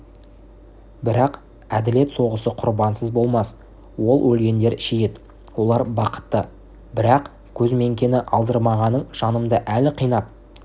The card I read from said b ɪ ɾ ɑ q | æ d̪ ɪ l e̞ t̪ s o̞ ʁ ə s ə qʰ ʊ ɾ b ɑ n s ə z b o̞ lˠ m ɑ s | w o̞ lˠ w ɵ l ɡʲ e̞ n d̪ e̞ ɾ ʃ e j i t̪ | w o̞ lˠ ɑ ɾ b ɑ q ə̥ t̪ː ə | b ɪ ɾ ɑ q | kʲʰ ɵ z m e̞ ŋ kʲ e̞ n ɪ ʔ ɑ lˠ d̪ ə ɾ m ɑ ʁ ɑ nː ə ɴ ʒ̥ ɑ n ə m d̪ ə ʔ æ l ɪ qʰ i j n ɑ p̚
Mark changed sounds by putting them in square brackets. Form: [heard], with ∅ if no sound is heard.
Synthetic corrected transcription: b ɪ ɾ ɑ q | æ d̪ ɪ l e̞ t̪ s o̞ ʁ ə s ə qʰ ʊ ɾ b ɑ n s ə z b o̞ lˠ m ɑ s | w o̞ lˠ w ɵ l ɡʲ e̞ n d̪ e̞ ɾ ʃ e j [e] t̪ | w o̞ lˠ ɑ ɾ b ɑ q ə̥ t̪ː ə | b ɪ ɾ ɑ q | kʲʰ ɵ z m e̞ ŋ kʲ e̞ n ɪ ʔ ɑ lˠ d̪ ə ɾ m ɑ ʁ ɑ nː ə ɴ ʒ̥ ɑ n ə m d̪ ə ʔ æ l ɪ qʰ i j n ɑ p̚